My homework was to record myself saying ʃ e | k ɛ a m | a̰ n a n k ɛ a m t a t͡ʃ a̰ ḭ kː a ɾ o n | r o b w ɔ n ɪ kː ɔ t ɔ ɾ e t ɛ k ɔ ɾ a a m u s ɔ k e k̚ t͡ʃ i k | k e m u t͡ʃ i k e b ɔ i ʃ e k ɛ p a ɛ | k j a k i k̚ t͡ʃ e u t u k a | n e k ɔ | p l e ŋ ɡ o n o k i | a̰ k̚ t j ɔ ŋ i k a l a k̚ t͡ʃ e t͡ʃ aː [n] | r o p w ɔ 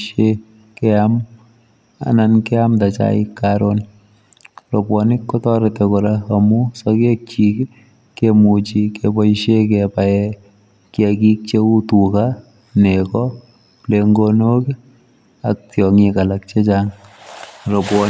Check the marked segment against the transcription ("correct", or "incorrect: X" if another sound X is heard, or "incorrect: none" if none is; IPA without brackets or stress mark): incorrect: ŋ